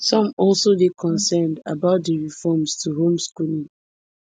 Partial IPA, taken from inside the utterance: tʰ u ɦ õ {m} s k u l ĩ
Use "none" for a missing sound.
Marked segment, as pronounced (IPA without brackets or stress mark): m